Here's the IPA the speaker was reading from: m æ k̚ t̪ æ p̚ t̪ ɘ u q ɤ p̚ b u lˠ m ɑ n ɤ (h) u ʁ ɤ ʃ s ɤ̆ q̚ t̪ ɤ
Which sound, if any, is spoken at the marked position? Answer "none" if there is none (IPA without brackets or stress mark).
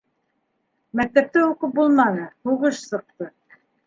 h